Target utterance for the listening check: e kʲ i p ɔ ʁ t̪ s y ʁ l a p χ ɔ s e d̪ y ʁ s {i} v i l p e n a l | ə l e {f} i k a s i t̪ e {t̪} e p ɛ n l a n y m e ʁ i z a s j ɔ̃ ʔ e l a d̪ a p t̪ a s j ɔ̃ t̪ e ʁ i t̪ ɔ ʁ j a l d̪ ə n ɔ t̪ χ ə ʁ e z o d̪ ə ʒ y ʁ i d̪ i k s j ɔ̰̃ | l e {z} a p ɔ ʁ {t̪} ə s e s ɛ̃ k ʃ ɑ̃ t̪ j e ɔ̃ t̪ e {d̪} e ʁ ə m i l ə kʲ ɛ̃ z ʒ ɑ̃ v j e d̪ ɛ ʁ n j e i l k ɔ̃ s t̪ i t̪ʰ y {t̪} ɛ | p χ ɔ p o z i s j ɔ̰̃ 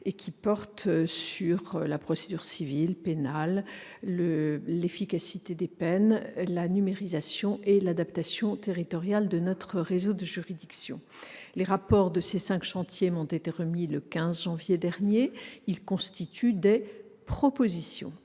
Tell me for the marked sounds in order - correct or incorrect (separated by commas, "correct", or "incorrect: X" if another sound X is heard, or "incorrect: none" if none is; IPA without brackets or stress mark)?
correct, correct, incorrect: d̪, incorrect: ʁ, incorrect: d̪, incorrect: t̪, incorrect: d̪